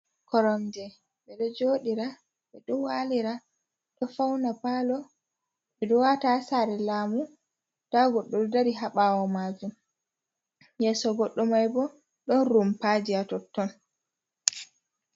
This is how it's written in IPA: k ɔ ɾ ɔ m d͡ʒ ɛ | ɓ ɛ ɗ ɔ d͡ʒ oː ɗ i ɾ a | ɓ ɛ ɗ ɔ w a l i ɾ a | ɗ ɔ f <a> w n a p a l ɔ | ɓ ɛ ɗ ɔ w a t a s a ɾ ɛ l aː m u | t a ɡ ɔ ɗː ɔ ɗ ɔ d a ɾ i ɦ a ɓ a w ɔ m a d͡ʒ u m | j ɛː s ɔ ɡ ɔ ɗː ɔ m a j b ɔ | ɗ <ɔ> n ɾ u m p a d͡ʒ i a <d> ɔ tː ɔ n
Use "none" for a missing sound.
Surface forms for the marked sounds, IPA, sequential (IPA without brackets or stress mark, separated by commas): a, ɔ, t